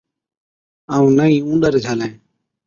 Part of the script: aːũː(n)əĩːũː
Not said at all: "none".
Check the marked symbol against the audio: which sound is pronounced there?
n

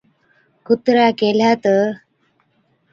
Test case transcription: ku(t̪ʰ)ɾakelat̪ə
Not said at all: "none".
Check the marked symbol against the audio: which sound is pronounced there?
t̪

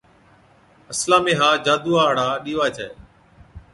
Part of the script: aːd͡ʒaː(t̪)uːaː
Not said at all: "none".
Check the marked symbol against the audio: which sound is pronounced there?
d̪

